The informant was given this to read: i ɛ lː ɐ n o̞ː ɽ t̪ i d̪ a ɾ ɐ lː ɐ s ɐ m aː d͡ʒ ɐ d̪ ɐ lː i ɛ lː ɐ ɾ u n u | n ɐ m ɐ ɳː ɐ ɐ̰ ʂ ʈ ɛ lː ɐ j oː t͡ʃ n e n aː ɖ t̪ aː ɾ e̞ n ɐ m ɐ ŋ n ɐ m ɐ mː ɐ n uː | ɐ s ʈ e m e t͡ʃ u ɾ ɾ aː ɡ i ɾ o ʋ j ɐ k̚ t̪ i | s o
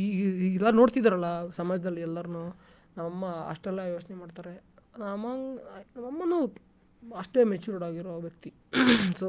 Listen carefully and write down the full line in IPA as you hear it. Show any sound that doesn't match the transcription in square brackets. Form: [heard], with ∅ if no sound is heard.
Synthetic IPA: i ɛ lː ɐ n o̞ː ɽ t̪ i d̪ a ɾ ɐ lː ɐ s ɐ m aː d͡ʒ ɐ d̪ ɐ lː i ɛ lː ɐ ɾ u n u | n ɐ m ɐ [mː] ɐ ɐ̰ ʂ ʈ ɛ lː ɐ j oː t͡ʃ n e [m] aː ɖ t̪ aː ɾ e̞ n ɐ m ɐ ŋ n ɐ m ɐ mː ɐ n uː | ɐ [ʂ] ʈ e m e t͡ʃ u ɾ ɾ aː ɡ i ɾ o ʋ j ɐ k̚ t̪ i | s o